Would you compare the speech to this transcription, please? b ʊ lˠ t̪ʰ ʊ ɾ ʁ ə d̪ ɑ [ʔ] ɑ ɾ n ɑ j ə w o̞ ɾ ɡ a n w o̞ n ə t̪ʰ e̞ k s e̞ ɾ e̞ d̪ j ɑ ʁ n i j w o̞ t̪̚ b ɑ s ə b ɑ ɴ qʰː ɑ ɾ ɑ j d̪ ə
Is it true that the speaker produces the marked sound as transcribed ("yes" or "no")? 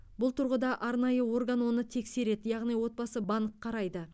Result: yes